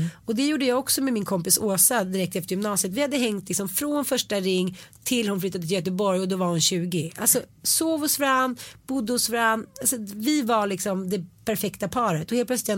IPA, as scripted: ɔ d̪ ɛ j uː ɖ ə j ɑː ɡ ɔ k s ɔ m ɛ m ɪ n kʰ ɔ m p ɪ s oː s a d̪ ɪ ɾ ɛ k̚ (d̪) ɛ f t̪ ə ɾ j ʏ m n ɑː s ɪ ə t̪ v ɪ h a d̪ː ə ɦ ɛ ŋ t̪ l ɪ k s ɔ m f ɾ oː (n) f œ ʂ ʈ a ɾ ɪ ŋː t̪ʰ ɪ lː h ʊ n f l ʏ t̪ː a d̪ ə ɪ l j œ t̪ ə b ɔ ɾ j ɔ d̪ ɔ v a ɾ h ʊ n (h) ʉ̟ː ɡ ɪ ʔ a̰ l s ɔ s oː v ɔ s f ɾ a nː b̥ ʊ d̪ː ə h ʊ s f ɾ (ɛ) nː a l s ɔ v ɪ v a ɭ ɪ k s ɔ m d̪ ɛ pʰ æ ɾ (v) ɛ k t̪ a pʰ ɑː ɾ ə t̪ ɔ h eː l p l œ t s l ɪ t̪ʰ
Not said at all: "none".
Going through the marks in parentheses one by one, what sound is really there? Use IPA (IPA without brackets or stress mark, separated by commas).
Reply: t̪, n, ɕ, a, f